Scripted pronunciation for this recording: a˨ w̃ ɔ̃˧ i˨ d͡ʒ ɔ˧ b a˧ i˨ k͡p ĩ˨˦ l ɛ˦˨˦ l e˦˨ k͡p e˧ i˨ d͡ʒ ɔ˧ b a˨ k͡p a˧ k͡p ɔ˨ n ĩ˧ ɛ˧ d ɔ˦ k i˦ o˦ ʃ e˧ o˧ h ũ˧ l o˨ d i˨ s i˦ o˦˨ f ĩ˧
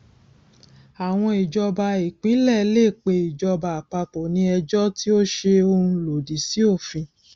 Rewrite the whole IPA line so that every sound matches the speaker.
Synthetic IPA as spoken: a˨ w̃ ɔ̃˧ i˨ d͡ʒ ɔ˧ b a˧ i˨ k͡p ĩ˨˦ l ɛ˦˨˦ l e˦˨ k͡p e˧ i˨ d͡ʒ ɔ˧ b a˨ k͡p a˧ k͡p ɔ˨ n ĩ˧ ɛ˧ d͡ʒ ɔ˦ t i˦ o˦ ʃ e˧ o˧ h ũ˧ l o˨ d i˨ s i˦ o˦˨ f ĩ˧